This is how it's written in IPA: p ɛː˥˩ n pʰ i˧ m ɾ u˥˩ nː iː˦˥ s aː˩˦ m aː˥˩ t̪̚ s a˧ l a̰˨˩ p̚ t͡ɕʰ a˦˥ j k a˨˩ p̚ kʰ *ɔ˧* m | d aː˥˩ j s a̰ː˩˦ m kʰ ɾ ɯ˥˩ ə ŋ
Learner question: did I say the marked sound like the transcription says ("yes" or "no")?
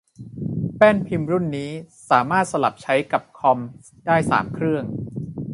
yes